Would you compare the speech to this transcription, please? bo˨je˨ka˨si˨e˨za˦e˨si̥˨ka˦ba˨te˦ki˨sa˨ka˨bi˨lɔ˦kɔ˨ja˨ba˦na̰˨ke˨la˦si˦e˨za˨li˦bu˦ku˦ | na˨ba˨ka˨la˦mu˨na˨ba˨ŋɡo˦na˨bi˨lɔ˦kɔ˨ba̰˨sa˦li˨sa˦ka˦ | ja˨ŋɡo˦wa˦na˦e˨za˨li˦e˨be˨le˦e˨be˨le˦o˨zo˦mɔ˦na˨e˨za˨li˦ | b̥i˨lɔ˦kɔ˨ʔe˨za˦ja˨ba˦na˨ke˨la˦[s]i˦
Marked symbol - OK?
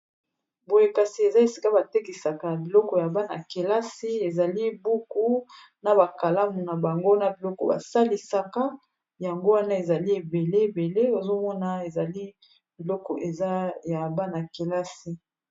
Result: yes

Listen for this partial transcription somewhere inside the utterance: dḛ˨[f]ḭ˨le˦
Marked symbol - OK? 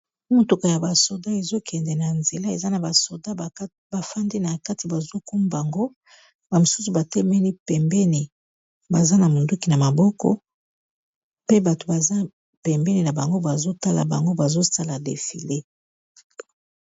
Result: yes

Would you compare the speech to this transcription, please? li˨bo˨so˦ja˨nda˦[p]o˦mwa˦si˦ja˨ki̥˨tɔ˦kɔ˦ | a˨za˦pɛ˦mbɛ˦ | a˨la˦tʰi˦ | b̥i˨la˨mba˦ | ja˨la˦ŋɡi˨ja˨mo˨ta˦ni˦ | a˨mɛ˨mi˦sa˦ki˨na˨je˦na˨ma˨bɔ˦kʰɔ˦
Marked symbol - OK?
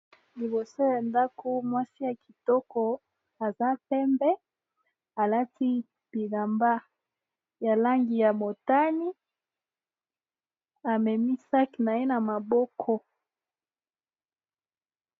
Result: no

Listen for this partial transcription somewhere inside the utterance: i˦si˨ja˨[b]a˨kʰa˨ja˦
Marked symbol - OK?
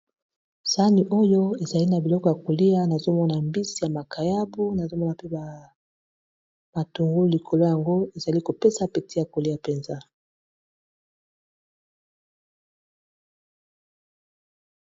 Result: no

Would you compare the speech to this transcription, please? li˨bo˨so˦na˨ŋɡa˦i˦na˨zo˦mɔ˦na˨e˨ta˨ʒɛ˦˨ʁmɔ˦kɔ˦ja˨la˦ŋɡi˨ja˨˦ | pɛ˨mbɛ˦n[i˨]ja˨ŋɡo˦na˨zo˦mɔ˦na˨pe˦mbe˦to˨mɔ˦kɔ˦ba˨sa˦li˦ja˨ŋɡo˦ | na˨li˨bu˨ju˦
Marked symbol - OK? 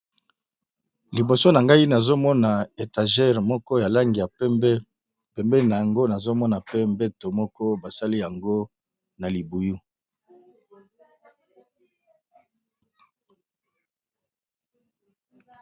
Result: no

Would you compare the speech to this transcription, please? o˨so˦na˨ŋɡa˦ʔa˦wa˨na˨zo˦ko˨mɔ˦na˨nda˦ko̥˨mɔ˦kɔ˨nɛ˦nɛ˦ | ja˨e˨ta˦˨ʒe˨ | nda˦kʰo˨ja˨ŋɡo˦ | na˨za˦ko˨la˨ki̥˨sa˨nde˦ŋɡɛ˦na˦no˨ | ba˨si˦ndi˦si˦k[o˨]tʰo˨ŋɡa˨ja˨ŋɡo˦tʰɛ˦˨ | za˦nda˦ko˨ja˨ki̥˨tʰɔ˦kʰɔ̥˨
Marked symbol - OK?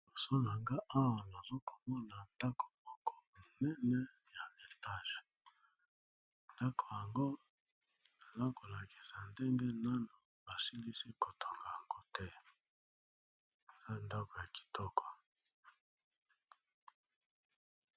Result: yes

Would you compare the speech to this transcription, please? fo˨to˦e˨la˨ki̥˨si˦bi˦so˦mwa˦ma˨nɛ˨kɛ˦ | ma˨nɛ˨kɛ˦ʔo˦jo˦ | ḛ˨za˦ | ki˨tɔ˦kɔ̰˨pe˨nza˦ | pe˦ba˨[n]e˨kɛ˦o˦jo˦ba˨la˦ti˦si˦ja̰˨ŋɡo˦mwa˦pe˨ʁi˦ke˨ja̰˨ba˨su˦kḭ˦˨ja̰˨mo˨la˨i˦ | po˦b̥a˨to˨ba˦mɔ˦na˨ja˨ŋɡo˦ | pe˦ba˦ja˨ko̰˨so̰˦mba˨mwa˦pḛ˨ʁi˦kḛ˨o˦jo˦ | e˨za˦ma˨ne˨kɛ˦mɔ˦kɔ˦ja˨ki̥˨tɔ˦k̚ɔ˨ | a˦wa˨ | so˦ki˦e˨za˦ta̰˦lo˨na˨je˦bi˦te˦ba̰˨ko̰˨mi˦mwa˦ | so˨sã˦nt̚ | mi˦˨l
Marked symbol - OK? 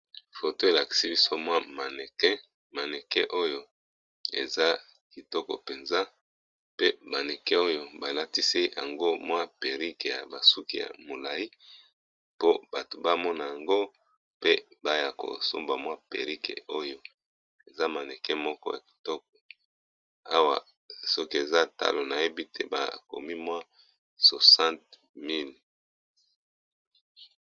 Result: yes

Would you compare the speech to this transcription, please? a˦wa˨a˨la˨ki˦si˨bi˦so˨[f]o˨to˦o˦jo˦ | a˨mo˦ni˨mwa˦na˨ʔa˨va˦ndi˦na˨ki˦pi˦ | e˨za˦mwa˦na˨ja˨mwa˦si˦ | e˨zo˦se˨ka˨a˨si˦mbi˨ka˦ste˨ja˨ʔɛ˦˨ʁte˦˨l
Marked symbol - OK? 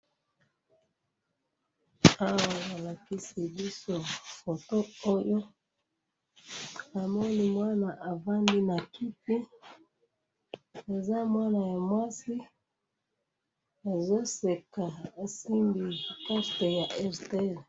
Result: yes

